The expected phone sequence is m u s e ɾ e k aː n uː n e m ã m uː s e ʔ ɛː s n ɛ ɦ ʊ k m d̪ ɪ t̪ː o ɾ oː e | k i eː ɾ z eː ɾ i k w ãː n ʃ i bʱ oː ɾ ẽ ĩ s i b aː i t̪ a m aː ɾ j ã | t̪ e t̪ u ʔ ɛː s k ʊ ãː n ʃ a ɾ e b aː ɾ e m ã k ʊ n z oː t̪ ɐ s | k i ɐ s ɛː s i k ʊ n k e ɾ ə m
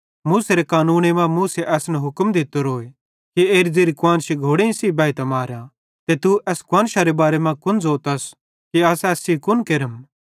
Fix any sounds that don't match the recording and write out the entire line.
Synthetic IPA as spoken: m uː s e ɾ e k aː n uː n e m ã m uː s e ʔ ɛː s n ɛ ɦ ʊ k m d̪ ɪ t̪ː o ɾ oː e | k i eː ɾ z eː ɾ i k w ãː n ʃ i ɡʱ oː ɽ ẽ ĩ s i b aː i t̪ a m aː ɾ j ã | t̪ e t̪ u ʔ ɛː s k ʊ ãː n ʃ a ɾ e b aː ɾ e m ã k ʊ n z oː t̪ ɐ s | k i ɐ s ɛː s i k ʊ n k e ɾ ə m